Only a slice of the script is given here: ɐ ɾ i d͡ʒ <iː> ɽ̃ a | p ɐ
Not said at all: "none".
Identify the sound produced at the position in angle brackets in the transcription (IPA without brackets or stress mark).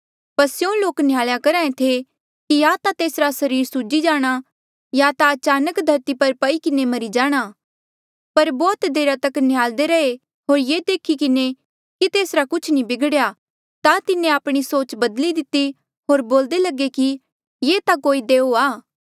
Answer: aː